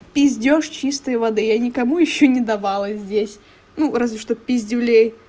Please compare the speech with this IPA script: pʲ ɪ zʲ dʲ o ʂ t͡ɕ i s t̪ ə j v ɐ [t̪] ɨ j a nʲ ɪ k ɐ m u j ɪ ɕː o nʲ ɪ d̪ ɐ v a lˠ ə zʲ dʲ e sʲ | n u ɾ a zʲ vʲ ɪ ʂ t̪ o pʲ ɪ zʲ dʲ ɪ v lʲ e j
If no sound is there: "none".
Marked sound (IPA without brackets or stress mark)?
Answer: d̪